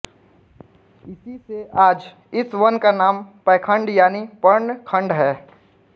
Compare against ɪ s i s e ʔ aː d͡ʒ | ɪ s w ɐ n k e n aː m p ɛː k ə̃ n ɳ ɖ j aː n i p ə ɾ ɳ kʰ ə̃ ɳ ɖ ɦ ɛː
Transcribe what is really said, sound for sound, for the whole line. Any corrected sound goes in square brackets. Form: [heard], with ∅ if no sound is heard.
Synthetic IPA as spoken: ɪ s i s e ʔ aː d͡ʒ | ɪ s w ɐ n k [a] n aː m p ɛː [kʰ] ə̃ [∅] ɳ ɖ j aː n i p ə ɾ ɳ kʰ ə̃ ɳ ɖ ɦ ɛː